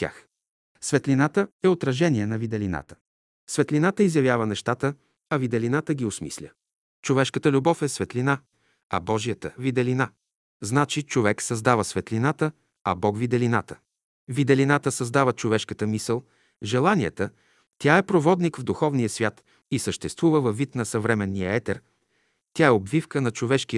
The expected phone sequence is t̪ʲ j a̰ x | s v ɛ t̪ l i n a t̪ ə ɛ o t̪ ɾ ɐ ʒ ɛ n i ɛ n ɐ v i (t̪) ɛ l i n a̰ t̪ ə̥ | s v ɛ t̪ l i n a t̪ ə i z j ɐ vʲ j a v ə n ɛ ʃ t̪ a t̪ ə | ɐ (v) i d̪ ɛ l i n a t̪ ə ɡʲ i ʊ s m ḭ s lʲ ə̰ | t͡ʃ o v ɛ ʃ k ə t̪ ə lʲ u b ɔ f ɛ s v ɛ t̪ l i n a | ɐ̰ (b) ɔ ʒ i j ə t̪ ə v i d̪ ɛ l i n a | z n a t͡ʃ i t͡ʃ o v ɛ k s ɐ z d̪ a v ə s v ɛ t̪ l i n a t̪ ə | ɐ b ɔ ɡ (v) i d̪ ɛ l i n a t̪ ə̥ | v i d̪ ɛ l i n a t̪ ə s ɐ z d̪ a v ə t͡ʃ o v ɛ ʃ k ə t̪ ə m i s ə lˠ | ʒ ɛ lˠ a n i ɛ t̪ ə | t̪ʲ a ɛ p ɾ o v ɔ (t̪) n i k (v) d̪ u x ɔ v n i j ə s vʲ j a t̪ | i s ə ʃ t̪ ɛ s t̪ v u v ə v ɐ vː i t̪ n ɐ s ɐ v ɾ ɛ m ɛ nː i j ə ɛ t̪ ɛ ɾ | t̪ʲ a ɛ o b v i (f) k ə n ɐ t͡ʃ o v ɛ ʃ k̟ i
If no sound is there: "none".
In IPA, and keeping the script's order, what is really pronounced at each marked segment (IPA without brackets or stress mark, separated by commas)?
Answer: d̪, v, b, v, d̪, v, f